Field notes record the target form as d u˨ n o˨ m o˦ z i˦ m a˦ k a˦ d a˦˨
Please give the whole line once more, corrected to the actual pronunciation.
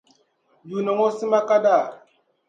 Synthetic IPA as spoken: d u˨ n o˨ ŋ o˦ s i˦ m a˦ k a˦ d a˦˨